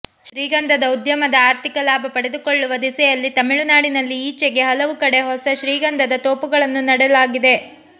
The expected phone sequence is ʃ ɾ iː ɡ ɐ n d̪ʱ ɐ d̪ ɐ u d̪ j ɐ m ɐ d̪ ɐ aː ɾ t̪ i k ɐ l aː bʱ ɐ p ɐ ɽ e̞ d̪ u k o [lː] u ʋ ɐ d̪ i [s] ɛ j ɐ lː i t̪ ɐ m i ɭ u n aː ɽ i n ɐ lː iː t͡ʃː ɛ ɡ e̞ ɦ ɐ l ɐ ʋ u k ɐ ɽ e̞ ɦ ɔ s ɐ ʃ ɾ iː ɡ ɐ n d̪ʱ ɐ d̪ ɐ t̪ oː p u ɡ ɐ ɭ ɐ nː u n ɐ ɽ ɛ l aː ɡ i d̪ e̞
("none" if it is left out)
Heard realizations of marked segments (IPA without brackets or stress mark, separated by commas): ɭː, s